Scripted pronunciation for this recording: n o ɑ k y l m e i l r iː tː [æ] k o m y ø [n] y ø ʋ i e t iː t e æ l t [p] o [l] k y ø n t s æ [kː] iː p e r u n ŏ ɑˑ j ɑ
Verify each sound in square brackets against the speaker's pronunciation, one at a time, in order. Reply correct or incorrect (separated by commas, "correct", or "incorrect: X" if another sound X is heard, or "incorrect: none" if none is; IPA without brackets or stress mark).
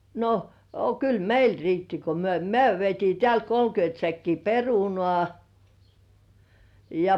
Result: incorrect: i, incorrect: m, incorrect: k, correct, correct